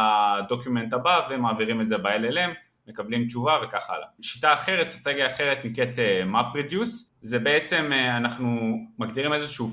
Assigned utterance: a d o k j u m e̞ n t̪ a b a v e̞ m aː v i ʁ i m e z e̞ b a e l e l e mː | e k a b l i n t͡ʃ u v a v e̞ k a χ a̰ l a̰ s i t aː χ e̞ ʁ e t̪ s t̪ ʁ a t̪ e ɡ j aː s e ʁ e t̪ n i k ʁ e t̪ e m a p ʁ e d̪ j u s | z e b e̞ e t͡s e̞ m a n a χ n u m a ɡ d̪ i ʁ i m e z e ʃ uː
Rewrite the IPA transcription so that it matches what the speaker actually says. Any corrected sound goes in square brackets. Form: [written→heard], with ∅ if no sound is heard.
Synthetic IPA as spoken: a d o k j u m e̞ n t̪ a b a v e̞ m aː v i ʁ i m e z e̞ b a e l e l e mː | e k a b l i [n→m] t͡ʃ u v a v e̞ k a χ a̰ l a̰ [s→ʃ] i t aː χ e̞ ʁ e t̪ s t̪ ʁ a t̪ e ɡ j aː [s→χ] e ʁ e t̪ n i k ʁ e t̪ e m a p ʁ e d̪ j u s | z e b e̞ e t͡s e̞ m a n a χ n u m a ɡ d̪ i ʁ i m e z e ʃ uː